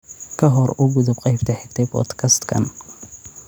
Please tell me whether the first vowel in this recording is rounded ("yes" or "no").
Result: no